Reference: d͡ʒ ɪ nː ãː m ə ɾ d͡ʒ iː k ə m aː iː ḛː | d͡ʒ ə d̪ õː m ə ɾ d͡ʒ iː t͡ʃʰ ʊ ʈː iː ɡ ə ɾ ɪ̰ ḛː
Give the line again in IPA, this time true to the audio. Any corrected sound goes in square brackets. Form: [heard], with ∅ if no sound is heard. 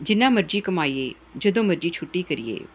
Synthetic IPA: d͡ʒ ɪ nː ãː m ə ɾ d͡ʒ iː k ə m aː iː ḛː | d͡ʒ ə d̪ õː m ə ɾ d͡ʒ iː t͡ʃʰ ʊ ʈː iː [k] ə ɾ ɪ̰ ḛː